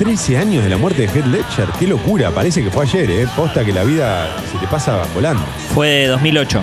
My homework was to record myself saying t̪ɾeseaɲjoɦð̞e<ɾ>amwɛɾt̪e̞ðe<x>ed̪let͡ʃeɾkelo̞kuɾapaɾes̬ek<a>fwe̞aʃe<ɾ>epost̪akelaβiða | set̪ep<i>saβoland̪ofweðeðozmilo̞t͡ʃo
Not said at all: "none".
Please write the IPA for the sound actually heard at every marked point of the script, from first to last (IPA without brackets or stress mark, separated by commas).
l, x, e, ɾ, a